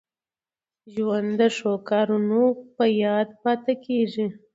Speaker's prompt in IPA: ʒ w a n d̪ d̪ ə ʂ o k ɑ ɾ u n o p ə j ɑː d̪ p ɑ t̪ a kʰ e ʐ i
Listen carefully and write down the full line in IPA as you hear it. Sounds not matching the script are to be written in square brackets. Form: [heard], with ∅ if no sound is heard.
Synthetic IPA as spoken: ʒ w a n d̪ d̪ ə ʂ o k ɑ ɾ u n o p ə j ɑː d̪ p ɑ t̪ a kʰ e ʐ i